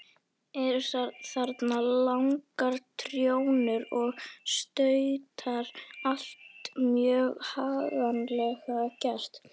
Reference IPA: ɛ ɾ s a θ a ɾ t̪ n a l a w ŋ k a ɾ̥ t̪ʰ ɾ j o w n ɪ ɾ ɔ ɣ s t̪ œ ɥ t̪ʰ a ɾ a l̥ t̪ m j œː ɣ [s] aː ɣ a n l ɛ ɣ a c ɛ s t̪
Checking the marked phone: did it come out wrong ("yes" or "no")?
yes